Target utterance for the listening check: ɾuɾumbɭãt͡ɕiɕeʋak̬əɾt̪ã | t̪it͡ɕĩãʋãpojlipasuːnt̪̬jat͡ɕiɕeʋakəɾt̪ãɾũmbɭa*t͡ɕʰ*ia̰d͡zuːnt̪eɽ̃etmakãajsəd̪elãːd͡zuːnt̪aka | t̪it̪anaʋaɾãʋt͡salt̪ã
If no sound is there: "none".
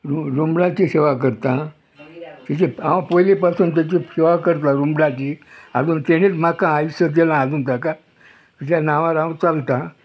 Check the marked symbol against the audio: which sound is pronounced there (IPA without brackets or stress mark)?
t͡ɕ